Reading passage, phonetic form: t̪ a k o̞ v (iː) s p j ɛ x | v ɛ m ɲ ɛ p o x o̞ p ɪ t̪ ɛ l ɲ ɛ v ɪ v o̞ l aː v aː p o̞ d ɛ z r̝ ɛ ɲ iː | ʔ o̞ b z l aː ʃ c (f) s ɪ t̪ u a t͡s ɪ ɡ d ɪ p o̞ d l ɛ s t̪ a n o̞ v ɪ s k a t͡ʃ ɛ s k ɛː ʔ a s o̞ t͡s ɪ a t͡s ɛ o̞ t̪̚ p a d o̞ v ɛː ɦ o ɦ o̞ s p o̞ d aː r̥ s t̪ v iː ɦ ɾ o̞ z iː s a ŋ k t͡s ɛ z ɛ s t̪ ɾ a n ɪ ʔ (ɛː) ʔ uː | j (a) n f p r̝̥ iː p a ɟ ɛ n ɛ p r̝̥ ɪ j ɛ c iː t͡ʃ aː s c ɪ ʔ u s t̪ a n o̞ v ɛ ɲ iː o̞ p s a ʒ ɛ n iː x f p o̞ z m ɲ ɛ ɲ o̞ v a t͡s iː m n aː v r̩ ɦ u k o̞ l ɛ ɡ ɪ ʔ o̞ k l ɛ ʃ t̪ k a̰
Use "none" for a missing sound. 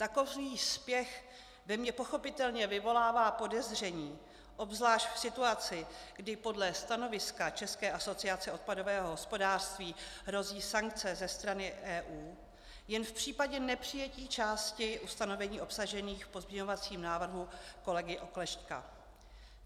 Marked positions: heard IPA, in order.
iː, f, ɛː, ɛ

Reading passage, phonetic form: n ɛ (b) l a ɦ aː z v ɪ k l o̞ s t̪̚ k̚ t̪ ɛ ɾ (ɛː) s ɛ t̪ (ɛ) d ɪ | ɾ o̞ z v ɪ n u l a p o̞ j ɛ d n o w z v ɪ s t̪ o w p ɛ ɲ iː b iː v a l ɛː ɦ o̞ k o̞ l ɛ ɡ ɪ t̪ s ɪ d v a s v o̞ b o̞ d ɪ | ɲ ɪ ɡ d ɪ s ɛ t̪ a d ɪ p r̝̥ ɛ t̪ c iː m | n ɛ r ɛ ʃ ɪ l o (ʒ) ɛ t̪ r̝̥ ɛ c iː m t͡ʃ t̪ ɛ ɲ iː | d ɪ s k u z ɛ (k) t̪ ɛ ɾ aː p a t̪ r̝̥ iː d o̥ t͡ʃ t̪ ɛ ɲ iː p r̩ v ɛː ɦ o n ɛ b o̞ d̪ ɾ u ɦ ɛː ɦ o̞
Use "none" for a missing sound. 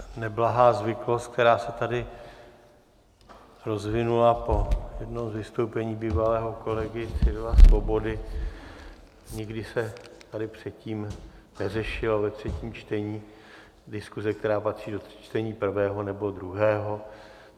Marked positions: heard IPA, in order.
b, aː, a, v, k

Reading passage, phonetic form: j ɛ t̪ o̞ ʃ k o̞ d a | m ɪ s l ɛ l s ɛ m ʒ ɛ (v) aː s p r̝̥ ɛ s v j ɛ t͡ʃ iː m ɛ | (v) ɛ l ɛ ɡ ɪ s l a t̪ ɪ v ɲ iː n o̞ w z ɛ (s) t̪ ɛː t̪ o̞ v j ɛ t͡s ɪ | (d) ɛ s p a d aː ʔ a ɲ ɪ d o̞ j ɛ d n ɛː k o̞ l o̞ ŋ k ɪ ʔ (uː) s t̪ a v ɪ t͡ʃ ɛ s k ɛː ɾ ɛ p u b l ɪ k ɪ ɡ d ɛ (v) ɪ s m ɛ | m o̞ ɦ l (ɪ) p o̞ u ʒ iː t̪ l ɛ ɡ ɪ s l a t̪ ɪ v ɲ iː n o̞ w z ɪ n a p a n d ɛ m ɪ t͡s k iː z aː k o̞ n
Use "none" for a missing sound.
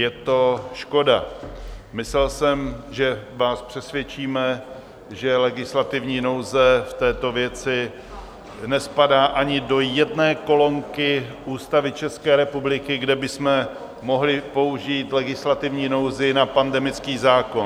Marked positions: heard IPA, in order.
v, ʒ, f, n, uː, b, ɪ

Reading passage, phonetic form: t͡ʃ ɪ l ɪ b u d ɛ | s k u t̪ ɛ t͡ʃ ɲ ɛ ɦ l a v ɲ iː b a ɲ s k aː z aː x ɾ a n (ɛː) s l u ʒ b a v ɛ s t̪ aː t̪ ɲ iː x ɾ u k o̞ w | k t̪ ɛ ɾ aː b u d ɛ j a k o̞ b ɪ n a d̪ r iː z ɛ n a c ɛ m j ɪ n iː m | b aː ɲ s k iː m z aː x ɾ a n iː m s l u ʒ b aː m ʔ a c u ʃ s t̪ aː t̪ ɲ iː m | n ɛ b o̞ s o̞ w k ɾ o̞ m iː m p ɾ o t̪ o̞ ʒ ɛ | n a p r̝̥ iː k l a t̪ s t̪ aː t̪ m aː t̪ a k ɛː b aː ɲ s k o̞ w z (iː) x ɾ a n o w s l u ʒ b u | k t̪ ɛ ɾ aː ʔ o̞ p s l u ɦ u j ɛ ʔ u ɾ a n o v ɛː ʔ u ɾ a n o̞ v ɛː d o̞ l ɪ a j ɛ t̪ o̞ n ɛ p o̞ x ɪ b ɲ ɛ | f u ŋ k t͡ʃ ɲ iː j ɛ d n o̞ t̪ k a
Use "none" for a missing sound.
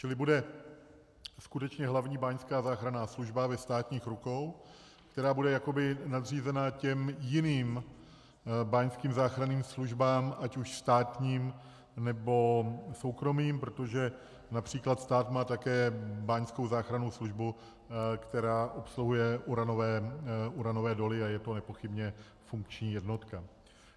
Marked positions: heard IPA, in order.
aː, aː

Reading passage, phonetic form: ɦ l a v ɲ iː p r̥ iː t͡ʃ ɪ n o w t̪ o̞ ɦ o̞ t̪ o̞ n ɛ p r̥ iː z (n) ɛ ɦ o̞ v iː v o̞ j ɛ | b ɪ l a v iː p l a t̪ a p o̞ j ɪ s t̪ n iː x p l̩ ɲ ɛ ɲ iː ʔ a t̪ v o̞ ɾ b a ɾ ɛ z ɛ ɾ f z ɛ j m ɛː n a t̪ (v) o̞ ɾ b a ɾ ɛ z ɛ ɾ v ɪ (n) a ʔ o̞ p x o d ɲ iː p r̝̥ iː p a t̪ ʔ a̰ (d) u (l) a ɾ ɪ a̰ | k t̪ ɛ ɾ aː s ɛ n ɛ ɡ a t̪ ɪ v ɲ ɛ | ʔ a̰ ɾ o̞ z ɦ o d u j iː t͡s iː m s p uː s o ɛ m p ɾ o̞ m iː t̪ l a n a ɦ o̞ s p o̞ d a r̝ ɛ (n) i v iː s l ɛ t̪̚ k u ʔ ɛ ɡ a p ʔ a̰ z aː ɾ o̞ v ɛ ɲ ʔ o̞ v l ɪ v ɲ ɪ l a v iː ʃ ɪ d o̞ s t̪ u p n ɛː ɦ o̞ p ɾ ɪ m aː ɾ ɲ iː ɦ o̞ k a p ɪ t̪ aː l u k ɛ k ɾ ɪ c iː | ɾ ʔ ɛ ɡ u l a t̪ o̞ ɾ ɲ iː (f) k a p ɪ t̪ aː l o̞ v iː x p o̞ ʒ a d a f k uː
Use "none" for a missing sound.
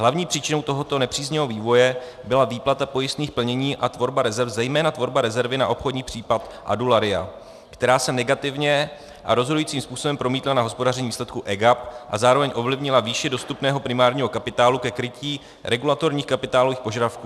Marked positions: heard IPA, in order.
ɲ, v, n, d, l, ɲ, x

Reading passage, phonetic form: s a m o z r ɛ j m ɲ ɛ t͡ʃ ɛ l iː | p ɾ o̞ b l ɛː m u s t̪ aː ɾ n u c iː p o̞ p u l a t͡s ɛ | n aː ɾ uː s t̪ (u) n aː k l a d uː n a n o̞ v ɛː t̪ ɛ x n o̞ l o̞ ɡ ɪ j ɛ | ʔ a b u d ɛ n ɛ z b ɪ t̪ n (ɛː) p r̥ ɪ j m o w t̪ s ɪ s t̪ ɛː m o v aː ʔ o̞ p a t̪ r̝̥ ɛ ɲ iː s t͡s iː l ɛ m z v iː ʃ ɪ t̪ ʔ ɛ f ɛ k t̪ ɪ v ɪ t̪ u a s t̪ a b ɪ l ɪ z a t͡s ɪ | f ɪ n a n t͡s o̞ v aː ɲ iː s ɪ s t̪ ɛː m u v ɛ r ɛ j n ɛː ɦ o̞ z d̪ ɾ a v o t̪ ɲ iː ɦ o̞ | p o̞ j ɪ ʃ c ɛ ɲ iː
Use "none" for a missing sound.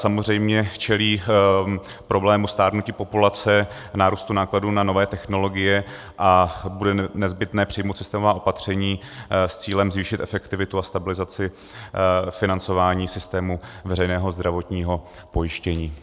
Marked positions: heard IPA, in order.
u, ɛː

